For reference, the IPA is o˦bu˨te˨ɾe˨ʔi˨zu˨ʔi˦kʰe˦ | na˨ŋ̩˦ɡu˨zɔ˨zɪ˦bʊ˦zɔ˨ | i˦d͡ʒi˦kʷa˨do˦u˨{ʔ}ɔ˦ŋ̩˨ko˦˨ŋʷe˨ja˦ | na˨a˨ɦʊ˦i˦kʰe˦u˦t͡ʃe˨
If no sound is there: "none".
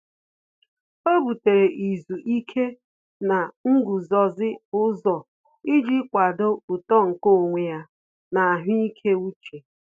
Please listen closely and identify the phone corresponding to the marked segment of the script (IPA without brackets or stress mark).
t